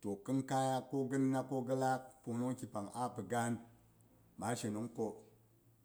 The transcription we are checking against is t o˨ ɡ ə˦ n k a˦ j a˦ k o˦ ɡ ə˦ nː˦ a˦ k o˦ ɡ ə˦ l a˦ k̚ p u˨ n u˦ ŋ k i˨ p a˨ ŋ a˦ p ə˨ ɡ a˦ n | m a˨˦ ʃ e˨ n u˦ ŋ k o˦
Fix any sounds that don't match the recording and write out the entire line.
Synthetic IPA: t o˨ k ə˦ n k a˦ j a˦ k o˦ ɡ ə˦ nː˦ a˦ k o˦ ɡ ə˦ l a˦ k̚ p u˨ n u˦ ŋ k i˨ p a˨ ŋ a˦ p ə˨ ɡ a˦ n | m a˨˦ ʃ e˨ n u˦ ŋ k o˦